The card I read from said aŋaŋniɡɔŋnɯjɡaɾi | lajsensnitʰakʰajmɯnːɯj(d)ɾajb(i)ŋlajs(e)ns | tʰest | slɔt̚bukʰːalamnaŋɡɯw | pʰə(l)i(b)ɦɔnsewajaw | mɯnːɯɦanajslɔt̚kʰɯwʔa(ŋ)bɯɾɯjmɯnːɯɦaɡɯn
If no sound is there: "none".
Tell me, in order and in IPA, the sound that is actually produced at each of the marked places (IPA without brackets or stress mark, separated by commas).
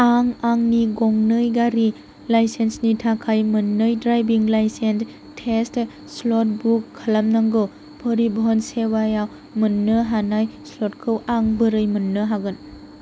d, i, e, ɾ, b, ŋ